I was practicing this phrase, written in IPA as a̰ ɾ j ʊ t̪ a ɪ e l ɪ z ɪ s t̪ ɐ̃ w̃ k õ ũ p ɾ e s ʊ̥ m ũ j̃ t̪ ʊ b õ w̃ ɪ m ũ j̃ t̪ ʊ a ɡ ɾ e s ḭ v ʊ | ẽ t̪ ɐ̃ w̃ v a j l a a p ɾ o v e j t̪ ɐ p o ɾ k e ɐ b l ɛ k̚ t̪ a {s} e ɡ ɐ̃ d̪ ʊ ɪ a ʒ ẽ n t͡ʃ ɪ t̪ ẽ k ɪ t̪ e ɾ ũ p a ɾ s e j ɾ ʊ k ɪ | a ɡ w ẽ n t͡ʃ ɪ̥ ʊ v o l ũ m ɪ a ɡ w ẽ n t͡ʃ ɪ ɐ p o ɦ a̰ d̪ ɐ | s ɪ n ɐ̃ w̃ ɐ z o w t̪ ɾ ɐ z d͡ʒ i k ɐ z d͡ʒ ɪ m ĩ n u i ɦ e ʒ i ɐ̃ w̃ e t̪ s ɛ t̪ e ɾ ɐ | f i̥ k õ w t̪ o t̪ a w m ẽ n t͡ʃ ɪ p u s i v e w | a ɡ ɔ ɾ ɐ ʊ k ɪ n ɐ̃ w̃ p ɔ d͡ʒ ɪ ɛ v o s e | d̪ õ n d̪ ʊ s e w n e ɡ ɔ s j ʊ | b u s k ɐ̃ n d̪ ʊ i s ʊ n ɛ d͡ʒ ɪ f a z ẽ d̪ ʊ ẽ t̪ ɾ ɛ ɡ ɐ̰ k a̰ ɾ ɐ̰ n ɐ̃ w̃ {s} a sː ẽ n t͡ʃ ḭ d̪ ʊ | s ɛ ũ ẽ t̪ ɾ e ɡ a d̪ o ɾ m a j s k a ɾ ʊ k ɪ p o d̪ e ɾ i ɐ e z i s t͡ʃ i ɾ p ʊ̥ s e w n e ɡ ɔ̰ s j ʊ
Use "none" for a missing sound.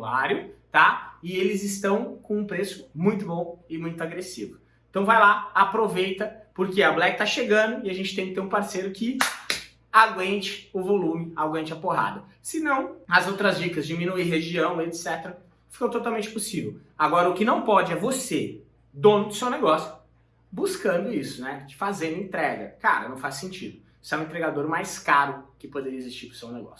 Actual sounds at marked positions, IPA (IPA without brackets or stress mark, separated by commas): ʃ, f